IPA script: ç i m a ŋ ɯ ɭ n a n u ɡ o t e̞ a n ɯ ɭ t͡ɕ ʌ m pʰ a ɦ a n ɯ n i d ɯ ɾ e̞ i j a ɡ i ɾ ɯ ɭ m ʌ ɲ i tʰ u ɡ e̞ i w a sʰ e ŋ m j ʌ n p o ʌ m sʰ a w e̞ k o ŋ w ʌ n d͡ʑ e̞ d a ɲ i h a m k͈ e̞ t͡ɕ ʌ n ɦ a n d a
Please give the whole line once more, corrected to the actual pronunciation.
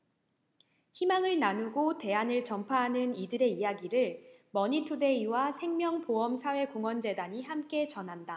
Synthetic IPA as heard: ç i m a ŋ ɯ ɭ n a n u ɡ o t e̞ a n ɯ ɭ t͡ɕ ʌ m pʰ a ɦ a n ɯ n i d ɯ ɾ e̞ i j a ɡ i ɾ ɯ ɭ m ʌ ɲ i tʰ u d e̞ i w a sʰ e ŋ m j ʌ ŋ p o ʌ m sʰ a w e̞ k o ŋ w ʌ n d͡ʑ e̞ d a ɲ i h a m k͈ e̞ t͡ɕ ʌ n ɦ a n d a